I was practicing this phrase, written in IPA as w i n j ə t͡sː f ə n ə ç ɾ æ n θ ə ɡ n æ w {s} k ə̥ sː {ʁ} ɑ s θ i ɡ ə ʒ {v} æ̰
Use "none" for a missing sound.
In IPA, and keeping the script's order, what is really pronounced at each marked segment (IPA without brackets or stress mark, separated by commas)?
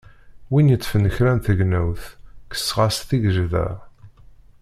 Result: θ, ʁ, ð